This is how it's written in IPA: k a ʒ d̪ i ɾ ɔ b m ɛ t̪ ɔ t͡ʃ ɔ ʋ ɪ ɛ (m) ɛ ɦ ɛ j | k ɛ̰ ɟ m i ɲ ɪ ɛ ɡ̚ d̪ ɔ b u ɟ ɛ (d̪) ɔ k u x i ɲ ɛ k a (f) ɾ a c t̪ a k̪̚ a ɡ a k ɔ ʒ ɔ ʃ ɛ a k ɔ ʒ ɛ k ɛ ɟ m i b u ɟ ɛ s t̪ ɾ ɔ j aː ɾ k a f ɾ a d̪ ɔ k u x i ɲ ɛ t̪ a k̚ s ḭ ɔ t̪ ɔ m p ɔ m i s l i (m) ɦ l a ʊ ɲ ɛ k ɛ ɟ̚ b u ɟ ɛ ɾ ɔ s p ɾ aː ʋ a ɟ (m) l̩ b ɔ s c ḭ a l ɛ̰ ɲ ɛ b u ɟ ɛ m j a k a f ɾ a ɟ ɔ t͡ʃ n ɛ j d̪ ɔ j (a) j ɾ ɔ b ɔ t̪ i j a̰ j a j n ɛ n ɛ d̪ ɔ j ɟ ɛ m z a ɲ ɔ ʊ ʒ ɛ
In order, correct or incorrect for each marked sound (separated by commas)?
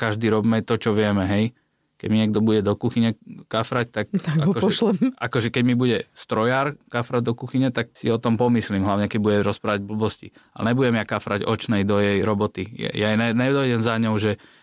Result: correct, correct, correct, correct, incorrect, incorrect